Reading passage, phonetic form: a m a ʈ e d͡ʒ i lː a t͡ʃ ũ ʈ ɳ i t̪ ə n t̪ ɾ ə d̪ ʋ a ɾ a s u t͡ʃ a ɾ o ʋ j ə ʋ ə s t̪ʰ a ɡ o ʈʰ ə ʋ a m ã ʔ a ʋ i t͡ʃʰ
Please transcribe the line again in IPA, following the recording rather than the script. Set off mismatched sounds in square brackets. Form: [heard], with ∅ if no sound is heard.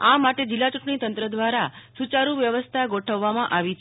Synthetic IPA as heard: a m a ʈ e d͡ʒ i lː a t͡ʃ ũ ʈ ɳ i t̪ ə n t̪ ɾ ə d̪ ʋ a ɾ a s u t͡ʃ a ɾ [u] ʋ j ə ʋ ə s t̪ʰ a ɡ o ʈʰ ə [ʋː] a m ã ʔ a ʋ i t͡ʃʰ